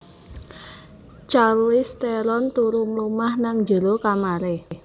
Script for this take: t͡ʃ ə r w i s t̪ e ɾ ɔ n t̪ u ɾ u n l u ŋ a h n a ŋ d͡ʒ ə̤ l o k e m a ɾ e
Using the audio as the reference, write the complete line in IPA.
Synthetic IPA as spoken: t͡ʃ a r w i s t̪ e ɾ ɔ n t̪ u ɾ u m l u m a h n a ŋ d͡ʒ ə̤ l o k a m a ɾ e